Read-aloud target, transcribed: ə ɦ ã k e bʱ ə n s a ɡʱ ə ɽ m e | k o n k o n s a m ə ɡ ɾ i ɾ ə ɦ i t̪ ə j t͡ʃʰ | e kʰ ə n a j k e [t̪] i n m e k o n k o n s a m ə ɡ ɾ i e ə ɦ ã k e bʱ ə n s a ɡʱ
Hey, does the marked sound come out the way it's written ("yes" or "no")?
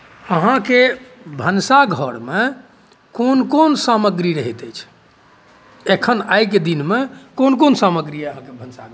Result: no